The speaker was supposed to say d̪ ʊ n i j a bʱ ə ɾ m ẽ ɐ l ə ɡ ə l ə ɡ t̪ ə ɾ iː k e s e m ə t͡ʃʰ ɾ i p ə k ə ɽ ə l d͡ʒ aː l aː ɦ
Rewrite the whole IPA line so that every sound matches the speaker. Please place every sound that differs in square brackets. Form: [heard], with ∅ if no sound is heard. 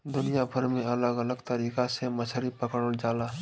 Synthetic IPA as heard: d̪ ʊ n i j a bʱ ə ɾ m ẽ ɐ l ə ɡ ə l ə ɡ t̪ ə ɾ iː k [a] s e m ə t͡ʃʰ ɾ i p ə k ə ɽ ə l d͡ʒ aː l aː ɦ